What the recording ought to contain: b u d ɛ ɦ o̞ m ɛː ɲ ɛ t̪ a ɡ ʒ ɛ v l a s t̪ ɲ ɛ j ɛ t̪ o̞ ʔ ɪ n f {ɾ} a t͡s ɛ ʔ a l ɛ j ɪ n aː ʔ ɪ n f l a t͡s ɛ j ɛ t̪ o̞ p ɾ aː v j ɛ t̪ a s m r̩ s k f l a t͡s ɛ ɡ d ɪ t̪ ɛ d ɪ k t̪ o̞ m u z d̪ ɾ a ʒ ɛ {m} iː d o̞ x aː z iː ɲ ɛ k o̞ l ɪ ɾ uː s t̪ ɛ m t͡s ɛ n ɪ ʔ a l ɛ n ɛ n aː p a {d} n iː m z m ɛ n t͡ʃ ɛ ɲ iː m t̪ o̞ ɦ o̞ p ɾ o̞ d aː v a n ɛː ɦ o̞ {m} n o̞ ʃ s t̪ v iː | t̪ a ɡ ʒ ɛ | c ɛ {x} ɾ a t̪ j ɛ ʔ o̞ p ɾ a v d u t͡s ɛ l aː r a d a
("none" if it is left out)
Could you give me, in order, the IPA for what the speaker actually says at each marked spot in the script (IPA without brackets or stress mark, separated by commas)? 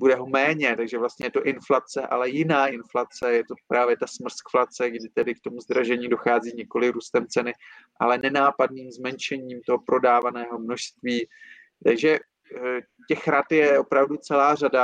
l, ɲ, d, m, x